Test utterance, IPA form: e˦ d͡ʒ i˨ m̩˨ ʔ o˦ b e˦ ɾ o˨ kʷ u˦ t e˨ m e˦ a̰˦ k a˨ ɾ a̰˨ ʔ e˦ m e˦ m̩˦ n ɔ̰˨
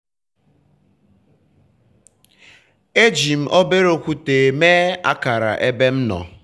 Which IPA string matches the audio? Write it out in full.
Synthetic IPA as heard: e˦ d͡ʒ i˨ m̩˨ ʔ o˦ b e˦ ɾ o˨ kʷ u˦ t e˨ m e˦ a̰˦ k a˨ ɾ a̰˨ ʔ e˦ b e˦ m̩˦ n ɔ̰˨

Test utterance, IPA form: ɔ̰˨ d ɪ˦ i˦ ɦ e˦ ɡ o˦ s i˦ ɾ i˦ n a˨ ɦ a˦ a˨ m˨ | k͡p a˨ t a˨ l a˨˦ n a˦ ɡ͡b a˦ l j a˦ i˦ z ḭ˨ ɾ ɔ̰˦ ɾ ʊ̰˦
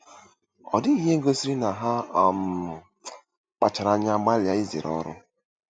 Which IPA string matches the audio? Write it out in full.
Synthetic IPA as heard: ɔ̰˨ d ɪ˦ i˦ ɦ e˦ ɡ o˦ s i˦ ɾ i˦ n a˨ ɦ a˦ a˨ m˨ | k͡p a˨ t͡ʃ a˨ ɾ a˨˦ ɲ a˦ ɡ͡b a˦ l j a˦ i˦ z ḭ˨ ɾ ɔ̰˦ ɾ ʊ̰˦

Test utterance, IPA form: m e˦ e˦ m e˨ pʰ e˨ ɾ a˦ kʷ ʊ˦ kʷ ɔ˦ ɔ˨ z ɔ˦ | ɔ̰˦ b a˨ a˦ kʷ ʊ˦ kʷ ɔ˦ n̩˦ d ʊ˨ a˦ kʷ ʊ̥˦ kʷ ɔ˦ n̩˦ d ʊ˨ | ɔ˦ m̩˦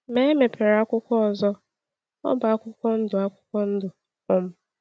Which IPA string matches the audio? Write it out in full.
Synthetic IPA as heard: m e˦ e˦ m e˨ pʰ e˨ ɾ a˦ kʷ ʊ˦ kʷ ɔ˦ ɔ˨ z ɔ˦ | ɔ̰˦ b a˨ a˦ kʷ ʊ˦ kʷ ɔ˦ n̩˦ d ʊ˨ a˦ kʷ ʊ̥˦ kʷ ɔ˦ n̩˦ d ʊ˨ | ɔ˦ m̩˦

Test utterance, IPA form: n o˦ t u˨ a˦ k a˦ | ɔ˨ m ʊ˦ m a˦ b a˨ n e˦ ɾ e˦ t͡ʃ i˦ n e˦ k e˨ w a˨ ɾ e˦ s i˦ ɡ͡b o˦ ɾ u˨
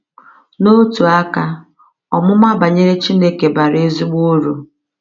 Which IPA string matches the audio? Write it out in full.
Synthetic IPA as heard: n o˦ t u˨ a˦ k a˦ | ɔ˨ m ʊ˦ m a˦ b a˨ ɲ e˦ ɾ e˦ t͡ʃ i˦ n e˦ k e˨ b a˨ ɾ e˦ z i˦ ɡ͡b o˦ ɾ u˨

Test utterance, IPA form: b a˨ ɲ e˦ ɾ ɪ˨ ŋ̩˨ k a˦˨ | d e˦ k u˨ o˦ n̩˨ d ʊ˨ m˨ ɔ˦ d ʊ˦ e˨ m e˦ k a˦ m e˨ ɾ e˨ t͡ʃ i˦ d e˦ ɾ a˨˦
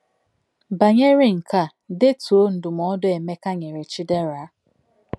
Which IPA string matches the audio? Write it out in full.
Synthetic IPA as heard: b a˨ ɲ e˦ ɾ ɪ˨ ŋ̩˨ k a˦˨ | d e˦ t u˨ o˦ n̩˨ d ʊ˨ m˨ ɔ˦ d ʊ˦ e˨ m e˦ k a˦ ɲ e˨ ɾ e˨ t͡ʃ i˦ d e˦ ɾ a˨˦

